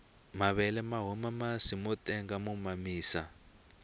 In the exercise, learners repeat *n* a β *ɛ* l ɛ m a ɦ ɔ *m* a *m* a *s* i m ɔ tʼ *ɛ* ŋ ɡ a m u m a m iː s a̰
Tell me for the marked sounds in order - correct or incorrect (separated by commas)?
incorrect, correct, correct, correct, correct, correct